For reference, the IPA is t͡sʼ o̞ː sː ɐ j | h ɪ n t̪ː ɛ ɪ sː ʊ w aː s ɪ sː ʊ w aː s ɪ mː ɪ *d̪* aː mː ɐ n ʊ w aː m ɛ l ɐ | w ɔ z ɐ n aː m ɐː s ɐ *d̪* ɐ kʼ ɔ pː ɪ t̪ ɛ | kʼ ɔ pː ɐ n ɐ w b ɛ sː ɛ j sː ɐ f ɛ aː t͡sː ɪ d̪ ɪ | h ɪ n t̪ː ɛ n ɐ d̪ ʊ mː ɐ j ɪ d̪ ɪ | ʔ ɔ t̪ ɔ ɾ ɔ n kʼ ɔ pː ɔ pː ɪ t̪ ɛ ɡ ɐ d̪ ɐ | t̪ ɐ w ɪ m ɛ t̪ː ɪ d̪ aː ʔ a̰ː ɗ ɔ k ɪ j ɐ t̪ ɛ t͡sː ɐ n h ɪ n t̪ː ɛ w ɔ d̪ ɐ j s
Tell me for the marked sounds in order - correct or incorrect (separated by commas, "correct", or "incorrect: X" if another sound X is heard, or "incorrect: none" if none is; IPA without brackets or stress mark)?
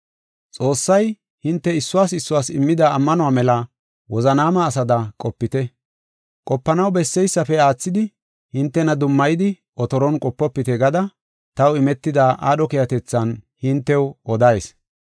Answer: correct, correct